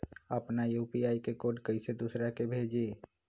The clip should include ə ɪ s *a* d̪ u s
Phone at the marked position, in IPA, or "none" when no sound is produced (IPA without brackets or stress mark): e